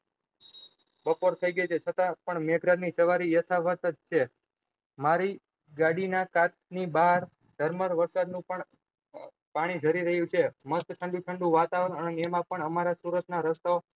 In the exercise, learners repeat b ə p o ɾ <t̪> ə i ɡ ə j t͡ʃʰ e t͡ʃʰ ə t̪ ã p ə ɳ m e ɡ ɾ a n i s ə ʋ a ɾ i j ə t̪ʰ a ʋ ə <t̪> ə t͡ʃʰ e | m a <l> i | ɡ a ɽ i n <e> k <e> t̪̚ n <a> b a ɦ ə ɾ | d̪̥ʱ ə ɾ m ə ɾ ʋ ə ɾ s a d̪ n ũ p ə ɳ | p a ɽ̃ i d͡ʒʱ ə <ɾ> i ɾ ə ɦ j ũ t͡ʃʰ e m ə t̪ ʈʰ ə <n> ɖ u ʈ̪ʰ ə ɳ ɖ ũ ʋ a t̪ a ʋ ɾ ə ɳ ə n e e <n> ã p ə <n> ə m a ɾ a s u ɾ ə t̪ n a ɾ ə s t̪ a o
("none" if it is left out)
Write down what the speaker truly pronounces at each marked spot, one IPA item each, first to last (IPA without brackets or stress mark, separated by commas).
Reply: t̪ʰ, t̪, ɾ, a, a, i, ɾ, ɳ, m, ɳ